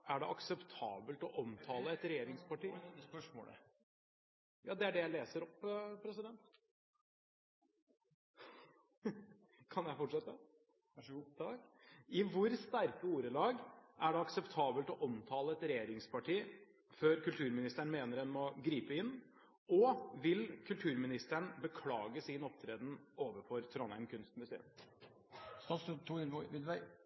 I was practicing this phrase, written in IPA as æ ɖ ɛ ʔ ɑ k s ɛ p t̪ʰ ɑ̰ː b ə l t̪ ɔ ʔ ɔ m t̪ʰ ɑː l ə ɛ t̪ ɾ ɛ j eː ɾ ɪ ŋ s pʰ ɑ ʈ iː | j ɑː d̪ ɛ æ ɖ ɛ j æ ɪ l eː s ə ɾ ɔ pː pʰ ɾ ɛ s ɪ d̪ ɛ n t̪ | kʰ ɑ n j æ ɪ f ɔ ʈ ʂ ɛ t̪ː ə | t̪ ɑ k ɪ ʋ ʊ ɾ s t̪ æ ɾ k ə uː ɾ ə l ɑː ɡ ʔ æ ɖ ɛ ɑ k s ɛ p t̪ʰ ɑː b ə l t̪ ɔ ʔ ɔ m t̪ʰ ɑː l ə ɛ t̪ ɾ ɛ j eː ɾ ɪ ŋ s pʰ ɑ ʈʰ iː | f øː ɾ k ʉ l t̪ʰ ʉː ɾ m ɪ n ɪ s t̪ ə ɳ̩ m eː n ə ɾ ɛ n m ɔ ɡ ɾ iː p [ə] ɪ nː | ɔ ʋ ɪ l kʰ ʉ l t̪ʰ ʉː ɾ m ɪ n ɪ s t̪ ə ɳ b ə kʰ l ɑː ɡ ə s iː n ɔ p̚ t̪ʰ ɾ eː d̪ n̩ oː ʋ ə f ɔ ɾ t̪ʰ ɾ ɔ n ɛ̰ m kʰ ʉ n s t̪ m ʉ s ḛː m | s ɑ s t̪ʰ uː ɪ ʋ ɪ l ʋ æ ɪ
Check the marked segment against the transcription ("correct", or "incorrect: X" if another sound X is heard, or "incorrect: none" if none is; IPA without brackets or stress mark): correct